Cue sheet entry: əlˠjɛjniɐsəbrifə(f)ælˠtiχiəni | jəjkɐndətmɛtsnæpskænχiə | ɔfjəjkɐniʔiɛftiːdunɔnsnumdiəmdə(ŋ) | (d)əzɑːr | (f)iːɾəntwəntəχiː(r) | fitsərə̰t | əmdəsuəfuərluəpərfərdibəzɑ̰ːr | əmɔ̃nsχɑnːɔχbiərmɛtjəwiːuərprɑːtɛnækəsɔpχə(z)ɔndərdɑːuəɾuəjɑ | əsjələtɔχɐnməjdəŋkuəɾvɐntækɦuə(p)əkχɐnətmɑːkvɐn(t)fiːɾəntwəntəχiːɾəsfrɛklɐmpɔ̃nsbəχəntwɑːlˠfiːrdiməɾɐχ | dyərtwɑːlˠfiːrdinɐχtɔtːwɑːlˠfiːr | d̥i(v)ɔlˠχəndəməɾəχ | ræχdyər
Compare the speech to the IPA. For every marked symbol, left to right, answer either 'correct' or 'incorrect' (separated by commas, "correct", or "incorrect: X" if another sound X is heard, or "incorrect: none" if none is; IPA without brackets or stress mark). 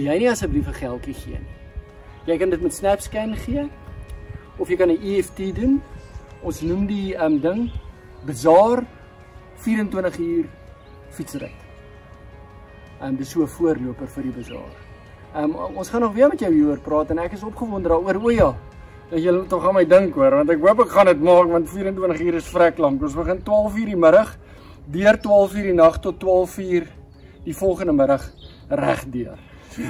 incorrect: χ, correct, incorrect: b, correct, correct, incorrect: v, correct, correct, incorrect: f